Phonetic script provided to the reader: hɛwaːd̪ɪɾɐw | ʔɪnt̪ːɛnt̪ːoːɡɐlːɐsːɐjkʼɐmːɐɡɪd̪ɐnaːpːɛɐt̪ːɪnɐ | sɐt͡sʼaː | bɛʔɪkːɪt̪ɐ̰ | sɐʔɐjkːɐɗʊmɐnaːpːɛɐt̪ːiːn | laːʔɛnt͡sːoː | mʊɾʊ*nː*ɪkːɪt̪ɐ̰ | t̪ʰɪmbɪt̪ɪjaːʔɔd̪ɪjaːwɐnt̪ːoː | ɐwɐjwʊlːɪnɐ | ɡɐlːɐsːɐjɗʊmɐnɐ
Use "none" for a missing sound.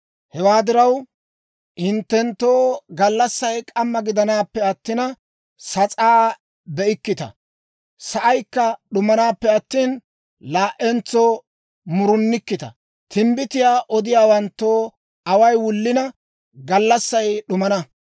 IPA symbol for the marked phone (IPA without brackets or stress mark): nː